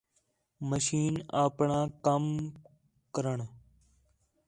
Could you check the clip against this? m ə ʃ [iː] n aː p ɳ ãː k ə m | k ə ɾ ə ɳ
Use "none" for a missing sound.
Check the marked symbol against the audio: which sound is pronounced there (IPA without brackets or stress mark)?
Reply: iː